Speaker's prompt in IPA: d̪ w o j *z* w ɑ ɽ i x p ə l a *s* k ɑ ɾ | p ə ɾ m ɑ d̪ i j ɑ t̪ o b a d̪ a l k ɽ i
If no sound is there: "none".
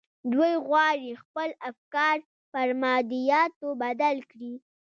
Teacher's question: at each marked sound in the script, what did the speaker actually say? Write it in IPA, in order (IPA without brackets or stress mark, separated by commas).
ɣ, f